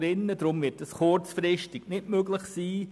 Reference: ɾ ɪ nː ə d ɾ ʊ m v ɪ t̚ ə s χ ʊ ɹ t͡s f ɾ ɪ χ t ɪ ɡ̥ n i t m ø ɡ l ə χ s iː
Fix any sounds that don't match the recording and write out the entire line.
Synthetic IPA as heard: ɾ ɪ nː ə d ɾ ʊ m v ɪ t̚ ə s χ ʊ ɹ t͡s f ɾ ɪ ʃ t ɪ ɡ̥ n ɪ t m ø ɡ l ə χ s iː